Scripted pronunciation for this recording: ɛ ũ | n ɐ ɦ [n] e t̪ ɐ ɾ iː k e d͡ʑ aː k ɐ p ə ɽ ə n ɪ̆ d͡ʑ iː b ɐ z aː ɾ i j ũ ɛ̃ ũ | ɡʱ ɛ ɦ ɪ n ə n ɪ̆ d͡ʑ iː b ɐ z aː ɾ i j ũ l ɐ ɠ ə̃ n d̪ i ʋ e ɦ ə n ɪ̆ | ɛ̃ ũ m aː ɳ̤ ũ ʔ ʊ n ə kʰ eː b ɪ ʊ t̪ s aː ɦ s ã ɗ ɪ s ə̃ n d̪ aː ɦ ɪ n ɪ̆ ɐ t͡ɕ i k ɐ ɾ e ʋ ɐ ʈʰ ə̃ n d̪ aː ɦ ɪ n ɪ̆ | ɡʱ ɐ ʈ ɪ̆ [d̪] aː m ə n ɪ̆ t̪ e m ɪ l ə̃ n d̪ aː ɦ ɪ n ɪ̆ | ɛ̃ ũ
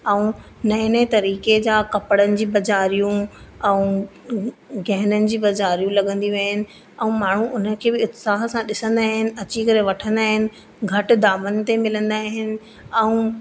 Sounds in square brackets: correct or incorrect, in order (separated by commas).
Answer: correct, correct